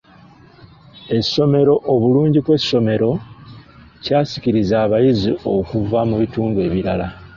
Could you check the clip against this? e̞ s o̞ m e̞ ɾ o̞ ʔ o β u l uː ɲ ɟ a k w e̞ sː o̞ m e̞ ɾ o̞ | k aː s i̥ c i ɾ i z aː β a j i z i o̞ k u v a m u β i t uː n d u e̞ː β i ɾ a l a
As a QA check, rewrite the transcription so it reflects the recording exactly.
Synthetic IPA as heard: e̞ s o̞ m e̞ ɾ o̞ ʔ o β u l uː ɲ ɟ i k w e̞ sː o̞ m e̞ ɾ o̞ | c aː s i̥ c i ɾ i z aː β a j i z i o̞ k u v a m u β i t uː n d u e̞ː β i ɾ a l a